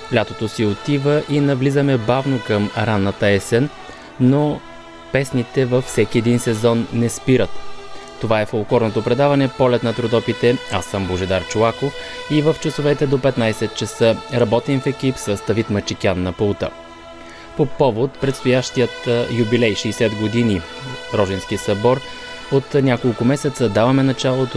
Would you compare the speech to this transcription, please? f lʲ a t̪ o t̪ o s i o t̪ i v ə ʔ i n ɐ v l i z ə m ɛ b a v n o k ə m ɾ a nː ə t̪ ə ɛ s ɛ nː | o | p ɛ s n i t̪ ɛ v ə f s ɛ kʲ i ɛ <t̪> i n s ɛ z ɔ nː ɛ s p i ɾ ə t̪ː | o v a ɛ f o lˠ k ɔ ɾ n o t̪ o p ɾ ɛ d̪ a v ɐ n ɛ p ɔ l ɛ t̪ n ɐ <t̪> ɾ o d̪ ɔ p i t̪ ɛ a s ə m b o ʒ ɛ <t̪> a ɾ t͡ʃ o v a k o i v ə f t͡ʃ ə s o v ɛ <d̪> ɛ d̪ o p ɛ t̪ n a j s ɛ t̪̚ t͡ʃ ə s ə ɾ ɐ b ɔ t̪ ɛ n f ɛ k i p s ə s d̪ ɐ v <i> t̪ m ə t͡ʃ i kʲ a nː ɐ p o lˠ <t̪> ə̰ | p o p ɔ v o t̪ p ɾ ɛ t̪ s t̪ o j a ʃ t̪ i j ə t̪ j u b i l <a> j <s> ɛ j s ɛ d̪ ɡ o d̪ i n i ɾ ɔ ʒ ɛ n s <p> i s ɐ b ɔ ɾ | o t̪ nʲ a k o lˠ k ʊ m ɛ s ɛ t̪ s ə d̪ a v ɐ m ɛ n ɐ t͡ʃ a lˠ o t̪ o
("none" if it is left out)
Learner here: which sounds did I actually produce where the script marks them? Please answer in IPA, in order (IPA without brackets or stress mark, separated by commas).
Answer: d̪, t̪, d̪, t̪, i, t̪, ɛ, ʃ, k